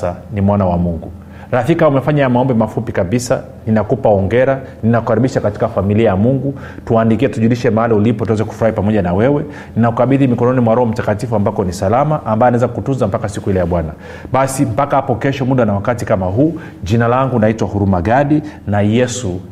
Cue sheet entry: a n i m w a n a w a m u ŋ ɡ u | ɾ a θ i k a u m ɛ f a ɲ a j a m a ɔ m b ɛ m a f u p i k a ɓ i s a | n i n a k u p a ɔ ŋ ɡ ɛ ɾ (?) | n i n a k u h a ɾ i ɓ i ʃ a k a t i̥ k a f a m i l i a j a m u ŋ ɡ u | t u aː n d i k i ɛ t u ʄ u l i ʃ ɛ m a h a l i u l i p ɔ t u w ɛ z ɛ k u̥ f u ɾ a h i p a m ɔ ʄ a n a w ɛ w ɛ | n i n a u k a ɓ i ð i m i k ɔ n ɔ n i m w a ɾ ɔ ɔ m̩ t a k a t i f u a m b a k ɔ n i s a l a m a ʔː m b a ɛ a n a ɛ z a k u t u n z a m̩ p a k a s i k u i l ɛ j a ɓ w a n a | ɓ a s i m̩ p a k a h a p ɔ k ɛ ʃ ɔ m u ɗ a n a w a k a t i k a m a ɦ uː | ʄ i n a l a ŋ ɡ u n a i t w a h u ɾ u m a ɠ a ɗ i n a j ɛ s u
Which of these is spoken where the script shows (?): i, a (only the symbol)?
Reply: a